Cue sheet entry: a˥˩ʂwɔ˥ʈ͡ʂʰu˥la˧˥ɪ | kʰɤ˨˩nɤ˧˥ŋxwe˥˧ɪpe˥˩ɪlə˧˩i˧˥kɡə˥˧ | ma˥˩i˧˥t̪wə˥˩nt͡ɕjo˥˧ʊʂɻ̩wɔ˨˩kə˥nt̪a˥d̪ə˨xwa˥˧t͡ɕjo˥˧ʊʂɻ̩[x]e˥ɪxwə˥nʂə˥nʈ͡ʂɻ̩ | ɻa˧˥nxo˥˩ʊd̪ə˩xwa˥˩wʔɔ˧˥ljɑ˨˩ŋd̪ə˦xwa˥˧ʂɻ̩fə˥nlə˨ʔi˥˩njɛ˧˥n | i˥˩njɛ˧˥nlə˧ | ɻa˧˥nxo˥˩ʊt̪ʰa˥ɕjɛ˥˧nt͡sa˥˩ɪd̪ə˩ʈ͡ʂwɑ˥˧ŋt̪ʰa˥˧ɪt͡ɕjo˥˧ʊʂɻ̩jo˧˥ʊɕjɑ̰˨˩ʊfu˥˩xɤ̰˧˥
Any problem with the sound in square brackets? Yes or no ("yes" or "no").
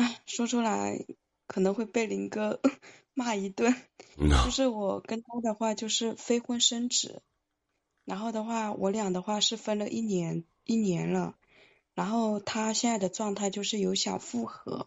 yes